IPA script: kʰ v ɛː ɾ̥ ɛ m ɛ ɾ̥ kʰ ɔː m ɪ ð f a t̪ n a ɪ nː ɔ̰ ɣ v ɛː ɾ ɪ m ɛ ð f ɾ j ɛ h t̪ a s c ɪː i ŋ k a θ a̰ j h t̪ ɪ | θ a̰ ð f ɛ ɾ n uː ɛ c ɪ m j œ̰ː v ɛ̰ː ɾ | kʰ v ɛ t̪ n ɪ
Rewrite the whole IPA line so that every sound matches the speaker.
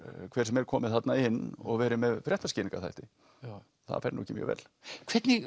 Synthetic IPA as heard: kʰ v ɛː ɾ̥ ɛ m ɛ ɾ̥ kʰ ɔː m ɪ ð θ a t̪ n a ɪ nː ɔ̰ ɣ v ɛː ɾ ɪ m ɛ ð f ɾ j ɛ h t̪ a s c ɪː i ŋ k a θ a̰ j h t̪ ɪ | θ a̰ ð f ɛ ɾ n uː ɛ c ɪ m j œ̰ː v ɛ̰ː l | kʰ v ɛ t̪ n ɪ